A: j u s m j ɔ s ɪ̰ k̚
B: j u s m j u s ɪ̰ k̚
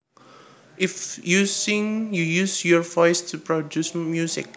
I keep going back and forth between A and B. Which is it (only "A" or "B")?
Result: B